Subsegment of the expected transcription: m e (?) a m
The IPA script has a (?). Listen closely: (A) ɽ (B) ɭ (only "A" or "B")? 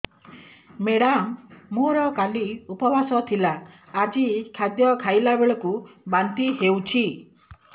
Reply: A